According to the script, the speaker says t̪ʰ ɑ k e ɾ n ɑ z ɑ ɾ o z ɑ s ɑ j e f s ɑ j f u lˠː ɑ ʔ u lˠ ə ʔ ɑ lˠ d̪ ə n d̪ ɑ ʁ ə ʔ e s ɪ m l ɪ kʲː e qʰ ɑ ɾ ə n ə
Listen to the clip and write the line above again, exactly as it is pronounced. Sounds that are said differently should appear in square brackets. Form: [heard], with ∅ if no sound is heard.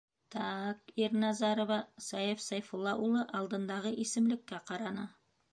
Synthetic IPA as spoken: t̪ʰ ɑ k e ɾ n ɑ z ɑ ɾ o [v] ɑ s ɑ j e f s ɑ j f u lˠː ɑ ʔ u lˠ ə ʔ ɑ lˠ d̪ ə n d̪ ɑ ʁ ə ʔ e s ɪ m l ɪ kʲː e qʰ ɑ ɾ [ɑ] n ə

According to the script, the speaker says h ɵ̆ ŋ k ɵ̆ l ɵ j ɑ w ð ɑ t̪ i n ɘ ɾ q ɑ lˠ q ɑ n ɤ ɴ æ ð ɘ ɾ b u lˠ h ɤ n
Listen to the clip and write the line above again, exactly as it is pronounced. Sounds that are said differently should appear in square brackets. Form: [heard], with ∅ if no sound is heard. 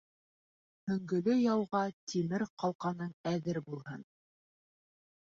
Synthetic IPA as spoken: h ɵ̆ ŋ [ɡ] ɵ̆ l ɵ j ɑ w [ʁ] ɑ t̪ i [m] ɘ ɾ q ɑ lˠ q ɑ n ɤ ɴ æ ð ɘ ɾ b u lˠ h ɤ n

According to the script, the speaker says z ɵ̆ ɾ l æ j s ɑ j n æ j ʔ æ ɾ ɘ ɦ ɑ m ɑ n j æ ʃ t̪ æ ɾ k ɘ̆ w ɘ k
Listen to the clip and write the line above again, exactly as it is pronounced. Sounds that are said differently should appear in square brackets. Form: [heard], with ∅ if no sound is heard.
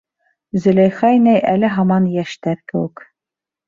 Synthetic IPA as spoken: z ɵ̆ [∅] l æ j [χ] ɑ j n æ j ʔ æ [l] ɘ ɦ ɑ m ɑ n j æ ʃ t̪ æ ɾ k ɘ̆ w ɘ k

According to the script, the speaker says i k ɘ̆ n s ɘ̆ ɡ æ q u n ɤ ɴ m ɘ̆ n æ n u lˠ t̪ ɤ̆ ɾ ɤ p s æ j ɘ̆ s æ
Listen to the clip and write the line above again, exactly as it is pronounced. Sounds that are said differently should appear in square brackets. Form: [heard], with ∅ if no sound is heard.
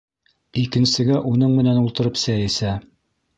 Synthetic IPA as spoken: i k ɘ̆ n s ɘ̆ ɡ æ [ʔ] u n ɤ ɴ m ɘ̆ n æ n u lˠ t̪ ɤ̆ ɾ ɤ p s æ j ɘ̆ s æ

